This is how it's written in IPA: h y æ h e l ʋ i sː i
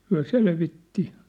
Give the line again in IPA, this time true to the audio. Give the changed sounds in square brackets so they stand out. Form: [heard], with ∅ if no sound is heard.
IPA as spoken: h y æ [s] e l ʋ i [tː] i